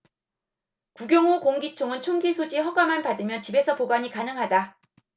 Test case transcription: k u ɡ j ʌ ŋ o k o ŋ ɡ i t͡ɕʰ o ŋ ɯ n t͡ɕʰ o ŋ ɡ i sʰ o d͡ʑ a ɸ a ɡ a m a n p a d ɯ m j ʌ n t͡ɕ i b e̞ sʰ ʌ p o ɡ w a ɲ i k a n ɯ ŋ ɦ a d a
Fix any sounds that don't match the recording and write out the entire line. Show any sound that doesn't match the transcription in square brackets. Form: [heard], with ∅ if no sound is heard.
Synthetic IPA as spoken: k u ɡ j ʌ ŋ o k o ŋ ɡ i t͡ɕʰ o ŋ ɯ n t͡ɕʰ o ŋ ɡ i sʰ o d͡ʑ [i] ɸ [ʌ] ɡ a m a n p a d ɯ m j ʌ n t͡ɕ i b e̞ sʰ ʌ p o ɡ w a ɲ i k a n ɯ ŋ ɦ a d a